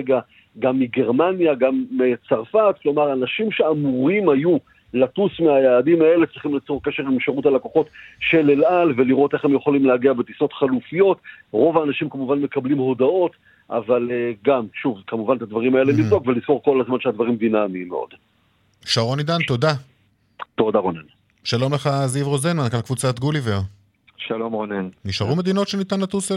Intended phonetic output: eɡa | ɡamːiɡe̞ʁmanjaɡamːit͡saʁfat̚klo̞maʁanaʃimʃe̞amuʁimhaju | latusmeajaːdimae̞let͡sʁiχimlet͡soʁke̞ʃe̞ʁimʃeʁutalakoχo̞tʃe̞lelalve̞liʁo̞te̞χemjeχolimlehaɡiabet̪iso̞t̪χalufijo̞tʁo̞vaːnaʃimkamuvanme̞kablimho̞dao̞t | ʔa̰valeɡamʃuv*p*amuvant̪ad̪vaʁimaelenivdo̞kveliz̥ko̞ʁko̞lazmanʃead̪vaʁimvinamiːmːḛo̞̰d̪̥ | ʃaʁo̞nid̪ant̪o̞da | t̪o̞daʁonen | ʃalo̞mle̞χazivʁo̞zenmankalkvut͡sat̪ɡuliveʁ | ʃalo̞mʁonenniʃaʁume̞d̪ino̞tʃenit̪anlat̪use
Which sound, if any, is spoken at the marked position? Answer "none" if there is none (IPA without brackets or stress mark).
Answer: k